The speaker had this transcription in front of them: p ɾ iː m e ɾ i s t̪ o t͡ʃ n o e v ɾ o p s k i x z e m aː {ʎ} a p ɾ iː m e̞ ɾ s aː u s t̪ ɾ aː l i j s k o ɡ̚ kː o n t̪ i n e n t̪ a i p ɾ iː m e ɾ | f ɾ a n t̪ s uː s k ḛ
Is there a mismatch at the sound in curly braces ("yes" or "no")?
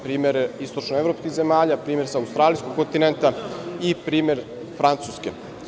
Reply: no